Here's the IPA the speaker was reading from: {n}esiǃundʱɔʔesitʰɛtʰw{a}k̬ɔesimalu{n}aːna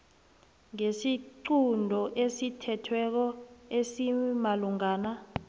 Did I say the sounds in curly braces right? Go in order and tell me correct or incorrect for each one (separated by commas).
incorrect, incorrect, incorrect